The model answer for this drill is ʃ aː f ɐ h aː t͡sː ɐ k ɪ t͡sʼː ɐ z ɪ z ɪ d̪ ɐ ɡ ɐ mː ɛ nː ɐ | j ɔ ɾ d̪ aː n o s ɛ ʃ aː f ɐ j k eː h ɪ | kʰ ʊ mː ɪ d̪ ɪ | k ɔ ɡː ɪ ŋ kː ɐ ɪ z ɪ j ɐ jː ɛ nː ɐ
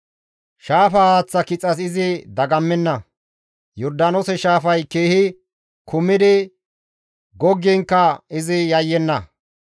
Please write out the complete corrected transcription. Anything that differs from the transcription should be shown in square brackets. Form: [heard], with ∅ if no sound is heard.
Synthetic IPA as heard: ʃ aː f ɐ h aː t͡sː ɐ k ɪ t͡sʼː ɐ [s] ɪ z ɪ d̪ ɐ ɡ ɐ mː ɛ nː ɐ | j ɔ ɾ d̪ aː n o s ɛ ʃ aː f ɐ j k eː h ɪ | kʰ ʊ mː ɪ d̪ ɪ | [ɡ] ɔ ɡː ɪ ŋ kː ɐ ɪ z ɪ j ɐ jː ɛ nː ɐ